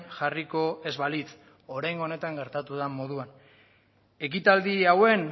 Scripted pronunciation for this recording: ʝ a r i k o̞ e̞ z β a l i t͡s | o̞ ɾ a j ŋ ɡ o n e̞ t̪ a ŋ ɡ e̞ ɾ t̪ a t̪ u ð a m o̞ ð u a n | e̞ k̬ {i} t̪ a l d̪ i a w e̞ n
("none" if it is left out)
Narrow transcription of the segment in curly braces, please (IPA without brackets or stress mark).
i